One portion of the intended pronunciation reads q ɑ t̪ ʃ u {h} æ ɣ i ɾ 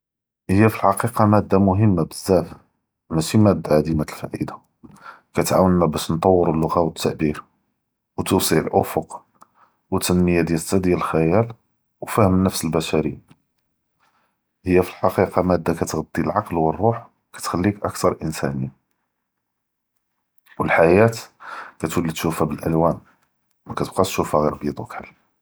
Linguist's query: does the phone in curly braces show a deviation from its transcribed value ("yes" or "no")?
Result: yes